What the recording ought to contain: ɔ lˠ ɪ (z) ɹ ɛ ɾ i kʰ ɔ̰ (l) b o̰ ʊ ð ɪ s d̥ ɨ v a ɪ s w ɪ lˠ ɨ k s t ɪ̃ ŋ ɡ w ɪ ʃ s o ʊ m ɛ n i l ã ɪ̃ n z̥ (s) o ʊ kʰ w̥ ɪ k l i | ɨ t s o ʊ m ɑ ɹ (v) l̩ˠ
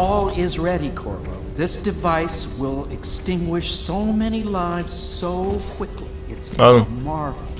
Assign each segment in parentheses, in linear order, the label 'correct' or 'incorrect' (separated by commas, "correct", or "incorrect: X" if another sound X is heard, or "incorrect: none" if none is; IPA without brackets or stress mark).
correct, incorrect: ɹ, correct, correct